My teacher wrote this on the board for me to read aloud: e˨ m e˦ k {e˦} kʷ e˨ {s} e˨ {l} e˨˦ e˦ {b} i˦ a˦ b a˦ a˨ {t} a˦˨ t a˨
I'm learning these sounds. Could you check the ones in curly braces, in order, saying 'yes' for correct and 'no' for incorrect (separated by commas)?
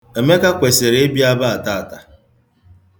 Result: no, yes, no, yes, yes